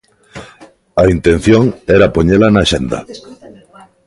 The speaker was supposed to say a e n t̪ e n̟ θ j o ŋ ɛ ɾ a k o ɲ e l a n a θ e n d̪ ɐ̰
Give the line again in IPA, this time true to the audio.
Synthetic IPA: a i n t̪ e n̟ θ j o ŋ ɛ ɾ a p o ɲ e l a n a ʃ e n d̪ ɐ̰